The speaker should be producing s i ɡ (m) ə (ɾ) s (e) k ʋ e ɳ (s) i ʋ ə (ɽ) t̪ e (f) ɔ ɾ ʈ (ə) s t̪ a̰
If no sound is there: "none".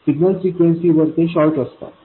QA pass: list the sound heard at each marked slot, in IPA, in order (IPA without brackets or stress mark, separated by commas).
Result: n, l, i, s, ɾ, ɕ, ə